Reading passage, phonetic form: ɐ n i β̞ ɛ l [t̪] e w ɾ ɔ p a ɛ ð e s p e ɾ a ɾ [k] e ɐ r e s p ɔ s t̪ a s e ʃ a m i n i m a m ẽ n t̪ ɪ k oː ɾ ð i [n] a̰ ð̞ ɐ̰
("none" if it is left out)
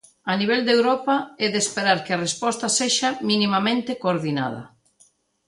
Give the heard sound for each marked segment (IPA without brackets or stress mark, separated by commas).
d̪, k, n